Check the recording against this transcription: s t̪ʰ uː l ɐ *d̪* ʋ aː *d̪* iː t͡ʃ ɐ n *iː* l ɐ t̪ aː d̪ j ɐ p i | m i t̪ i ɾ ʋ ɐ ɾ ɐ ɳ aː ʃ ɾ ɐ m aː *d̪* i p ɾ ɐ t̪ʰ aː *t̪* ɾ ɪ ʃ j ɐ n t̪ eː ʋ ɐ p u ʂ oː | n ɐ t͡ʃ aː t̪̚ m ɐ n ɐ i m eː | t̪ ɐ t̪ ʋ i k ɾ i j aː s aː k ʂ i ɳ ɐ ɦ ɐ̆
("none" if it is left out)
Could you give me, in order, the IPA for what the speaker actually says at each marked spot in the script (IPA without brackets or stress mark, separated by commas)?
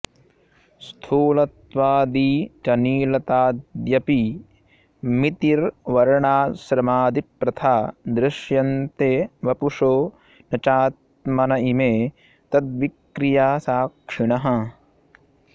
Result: t̪, d̪, iː, d̪, d̪